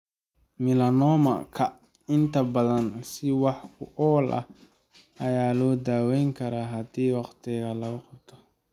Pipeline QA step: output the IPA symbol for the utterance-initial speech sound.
m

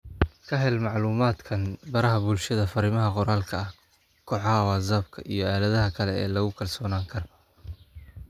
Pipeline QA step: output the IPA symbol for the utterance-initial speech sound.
kʰ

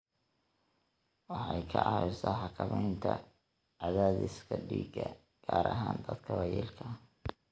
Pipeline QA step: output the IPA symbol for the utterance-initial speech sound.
w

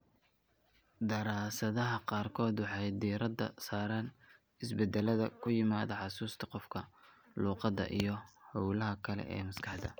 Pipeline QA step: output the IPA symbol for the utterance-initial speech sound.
d̪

